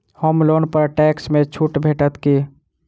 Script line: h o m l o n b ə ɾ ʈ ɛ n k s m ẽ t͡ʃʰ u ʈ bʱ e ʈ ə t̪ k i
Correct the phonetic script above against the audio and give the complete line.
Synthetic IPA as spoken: h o m l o n p ə ɾ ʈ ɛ k s m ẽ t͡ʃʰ u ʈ bʱ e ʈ ə t̪ k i